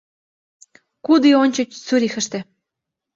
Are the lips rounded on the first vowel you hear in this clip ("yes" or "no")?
yes